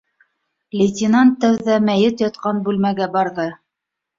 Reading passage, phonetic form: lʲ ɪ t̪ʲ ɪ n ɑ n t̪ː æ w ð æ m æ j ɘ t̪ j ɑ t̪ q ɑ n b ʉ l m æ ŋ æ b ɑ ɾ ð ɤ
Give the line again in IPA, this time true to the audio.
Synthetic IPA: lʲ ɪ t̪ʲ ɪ n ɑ n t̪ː æ w ð æ m æ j ɘ t̪ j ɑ t̪ q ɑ n b ʉ l m æ ɡ æ b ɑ ɾ ð ɤ